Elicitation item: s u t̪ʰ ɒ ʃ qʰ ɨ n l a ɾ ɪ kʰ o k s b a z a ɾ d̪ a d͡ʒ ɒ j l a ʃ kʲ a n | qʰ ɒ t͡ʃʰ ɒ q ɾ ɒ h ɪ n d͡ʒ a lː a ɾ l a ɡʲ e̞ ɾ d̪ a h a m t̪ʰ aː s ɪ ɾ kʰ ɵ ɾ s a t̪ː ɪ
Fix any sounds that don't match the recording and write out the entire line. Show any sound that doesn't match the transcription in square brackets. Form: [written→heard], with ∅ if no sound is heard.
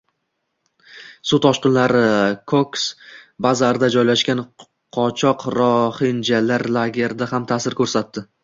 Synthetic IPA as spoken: s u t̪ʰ ɒ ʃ [qʰ→q] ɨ n l a ɾ ɪ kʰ o k s b a z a ɾ d̪ a d͡ʒ ɒ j l a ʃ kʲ a n | qʰ ɒ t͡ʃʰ ɒ q ɾ ɒ h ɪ n d͡ʒ a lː a ɾ l a ɡʲ e̞ ɾ d̪ a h a m t̪ʰ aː s ɪ ɾ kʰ ɵ ɾ s a t̪ː ɪ